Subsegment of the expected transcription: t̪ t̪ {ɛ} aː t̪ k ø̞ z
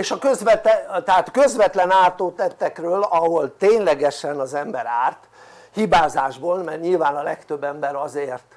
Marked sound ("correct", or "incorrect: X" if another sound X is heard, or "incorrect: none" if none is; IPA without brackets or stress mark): correct